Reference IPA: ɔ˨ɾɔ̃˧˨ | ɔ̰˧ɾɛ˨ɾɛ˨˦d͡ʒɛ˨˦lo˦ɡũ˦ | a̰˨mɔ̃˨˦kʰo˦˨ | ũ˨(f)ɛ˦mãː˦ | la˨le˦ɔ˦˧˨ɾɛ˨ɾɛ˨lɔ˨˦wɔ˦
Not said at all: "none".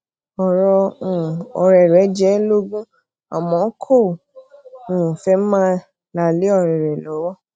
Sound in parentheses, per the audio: f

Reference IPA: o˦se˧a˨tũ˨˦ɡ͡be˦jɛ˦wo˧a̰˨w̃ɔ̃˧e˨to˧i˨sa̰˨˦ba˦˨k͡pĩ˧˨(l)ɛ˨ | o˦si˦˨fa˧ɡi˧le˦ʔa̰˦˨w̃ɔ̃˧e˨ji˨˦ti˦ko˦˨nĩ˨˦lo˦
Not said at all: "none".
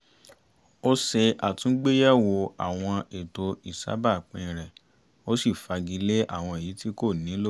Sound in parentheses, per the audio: ɾ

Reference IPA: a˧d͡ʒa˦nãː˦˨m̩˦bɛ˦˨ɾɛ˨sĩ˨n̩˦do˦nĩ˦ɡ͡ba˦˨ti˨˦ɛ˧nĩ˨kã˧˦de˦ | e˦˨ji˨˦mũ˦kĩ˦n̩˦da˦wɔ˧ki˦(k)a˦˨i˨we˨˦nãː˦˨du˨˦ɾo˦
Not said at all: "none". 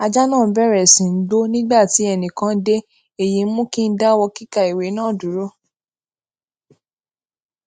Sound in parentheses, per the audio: k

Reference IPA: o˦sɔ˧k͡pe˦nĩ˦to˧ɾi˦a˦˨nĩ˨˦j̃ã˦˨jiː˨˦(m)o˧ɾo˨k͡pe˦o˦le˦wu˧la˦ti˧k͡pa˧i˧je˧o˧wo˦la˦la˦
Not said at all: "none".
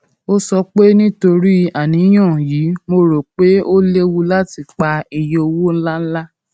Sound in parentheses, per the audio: m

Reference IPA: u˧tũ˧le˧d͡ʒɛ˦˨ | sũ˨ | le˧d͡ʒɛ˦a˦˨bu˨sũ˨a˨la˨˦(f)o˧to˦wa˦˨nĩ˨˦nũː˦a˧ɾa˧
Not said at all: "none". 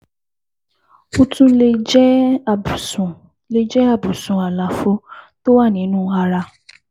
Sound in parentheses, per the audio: f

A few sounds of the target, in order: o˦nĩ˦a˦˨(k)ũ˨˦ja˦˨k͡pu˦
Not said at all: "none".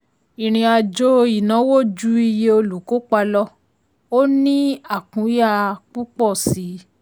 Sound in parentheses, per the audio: k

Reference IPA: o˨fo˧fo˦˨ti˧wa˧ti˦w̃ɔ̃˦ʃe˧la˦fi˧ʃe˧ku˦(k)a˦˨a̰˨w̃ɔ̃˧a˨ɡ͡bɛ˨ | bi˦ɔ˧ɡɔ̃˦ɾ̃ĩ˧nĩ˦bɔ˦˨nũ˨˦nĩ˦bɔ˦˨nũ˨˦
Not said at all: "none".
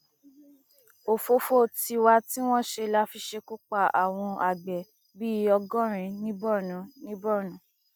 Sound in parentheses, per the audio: k͡p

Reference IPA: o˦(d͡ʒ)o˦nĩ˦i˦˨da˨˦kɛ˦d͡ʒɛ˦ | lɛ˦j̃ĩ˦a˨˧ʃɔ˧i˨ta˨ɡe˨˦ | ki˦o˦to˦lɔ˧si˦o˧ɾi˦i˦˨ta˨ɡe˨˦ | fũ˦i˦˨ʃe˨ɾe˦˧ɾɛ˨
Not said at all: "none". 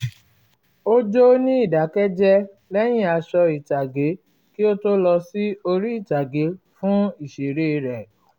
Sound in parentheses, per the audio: d͡ʒ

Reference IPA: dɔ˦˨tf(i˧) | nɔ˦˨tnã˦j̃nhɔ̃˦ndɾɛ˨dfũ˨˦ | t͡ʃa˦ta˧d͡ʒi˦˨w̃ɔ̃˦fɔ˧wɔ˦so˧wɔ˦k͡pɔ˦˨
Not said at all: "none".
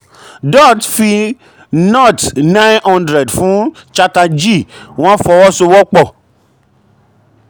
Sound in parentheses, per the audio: i˧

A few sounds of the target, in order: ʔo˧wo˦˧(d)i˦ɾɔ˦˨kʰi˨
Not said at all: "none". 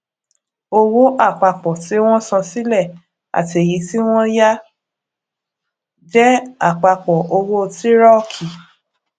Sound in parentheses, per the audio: t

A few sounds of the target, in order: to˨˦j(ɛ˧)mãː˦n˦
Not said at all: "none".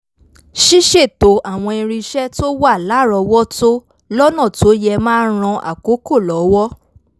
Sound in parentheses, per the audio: ɛ˧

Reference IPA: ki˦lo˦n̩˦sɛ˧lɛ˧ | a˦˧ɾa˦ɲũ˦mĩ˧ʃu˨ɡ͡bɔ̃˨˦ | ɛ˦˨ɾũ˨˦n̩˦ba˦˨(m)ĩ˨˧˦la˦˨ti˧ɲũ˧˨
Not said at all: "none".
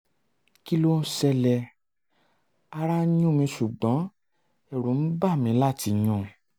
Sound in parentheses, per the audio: m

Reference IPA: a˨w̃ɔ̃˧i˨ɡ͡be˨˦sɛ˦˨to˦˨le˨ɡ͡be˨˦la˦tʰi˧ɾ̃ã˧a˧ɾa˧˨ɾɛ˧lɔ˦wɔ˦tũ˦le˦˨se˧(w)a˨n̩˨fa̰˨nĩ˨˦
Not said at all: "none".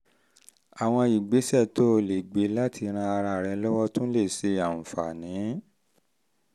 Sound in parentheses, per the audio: none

